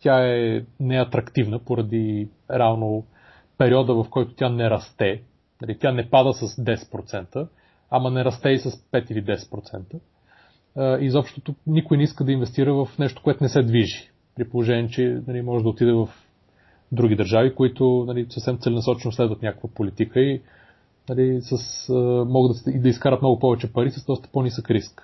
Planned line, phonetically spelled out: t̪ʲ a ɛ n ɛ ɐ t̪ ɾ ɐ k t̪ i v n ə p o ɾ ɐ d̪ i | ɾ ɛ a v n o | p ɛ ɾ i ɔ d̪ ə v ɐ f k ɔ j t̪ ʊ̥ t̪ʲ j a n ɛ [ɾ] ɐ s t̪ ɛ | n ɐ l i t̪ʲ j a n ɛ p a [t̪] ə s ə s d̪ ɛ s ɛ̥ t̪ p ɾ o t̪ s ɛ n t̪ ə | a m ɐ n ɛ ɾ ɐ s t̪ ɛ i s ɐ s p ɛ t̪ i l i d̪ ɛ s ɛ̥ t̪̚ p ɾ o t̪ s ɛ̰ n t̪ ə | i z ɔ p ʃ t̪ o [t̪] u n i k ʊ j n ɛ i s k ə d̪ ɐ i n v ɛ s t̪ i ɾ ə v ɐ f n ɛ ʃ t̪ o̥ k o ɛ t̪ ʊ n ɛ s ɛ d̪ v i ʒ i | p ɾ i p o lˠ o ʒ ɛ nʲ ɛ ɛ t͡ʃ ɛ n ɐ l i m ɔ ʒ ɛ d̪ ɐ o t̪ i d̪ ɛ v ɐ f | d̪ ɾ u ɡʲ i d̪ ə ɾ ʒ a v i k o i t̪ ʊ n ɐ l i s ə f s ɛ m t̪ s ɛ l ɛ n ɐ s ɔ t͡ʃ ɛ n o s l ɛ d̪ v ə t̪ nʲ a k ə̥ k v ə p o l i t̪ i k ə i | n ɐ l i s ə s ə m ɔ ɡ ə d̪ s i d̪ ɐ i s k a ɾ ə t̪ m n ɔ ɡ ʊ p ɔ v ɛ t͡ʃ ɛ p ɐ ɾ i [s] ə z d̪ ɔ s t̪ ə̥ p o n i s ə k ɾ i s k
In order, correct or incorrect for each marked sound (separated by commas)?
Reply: correct, incorrect, correct, correct